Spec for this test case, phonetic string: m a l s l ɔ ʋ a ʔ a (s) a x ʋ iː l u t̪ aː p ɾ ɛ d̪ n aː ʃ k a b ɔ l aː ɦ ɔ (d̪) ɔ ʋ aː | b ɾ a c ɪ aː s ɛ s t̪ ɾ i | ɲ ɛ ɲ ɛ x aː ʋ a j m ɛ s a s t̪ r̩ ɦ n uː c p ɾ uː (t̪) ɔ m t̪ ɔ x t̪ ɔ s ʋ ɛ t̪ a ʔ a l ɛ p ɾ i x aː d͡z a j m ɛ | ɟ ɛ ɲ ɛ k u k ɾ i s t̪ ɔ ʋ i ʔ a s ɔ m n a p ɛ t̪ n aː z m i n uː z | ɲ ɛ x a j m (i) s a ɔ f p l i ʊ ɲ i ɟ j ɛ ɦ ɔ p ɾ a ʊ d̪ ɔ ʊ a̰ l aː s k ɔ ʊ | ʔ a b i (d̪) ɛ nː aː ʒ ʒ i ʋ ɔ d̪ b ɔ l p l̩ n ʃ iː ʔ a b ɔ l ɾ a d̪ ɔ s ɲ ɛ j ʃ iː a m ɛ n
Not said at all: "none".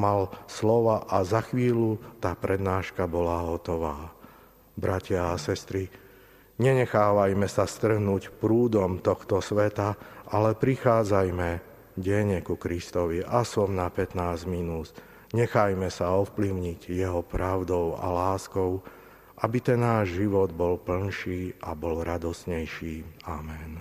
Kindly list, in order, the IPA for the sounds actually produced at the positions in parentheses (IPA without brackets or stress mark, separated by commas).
z, t̪, d̪, ɛ, t̪